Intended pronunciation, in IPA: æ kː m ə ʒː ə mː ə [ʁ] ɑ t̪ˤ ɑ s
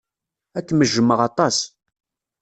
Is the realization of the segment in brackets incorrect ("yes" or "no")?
no